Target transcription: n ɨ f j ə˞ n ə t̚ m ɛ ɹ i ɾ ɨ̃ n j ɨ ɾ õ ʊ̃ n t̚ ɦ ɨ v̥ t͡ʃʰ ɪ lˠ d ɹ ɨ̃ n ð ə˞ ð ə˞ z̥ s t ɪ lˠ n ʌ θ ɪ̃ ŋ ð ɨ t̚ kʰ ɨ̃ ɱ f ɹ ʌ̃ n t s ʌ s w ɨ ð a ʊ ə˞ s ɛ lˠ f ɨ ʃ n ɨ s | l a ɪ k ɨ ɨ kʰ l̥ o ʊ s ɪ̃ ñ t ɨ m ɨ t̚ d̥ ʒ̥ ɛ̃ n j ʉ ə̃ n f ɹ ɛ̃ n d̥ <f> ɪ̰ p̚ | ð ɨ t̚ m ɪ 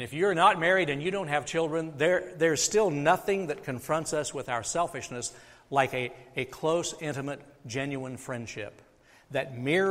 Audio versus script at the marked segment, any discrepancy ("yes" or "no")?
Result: yes